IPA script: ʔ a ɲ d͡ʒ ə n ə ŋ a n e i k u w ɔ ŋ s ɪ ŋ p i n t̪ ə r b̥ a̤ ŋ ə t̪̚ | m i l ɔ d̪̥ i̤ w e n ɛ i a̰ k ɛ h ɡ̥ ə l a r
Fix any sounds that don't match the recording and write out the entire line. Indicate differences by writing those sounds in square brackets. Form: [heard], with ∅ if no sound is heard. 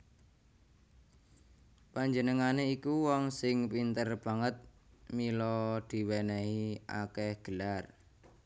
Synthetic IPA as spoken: [p] a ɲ d͡ʒ ə n ə ŋ a n e i k u w ɔ ŋ s ɪ ŋ p i n t̪ ə r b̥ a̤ ŋ ə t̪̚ | m i l ɔ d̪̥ i̤ w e n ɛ i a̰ k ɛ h ɡ̥ ə l a r